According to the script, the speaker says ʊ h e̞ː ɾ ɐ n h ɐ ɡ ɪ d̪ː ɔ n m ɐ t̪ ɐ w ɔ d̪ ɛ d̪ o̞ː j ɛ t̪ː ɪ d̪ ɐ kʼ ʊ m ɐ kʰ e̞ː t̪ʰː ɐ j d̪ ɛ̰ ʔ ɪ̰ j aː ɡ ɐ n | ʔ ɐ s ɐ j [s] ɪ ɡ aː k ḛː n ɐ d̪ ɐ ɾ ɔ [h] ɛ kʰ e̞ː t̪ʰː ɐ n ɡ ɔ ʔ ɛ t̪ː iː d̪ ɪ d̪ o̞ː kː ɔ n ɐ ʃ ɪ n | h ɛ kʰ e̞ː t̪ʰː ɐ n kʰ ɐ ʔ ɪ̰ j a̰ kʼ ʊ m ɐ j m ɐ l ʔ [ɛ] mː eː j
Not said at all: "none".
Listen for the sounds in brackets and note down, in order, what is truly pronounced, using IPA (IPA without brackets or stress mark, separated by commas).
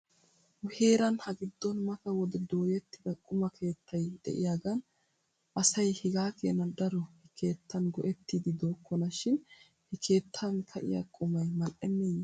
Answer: h, h, ɛ